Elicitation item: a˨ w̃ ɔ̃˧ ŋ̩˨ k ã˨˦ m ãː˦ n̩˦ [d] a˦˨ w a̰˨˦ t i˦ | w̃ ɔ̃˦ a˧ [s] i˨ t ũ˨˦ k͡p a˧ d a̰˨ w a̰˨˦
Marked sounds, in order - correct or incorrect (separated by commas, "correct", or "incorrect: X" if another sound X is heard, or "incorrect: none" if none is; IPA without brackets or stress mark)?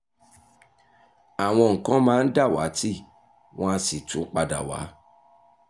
correct, correct